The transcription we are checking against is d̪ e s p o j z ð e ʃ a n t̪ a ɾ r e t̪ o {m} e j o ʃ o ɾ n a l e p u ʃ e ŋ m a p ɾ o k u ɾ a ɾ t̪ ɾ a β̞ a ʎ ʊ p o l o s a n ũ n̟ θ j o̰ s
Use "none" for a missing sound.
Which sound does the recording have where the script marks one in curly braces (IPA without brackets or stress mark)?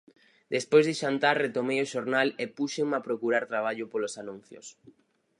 m